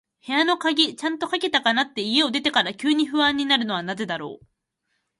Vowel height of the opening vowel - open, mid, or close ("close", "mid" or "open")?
mid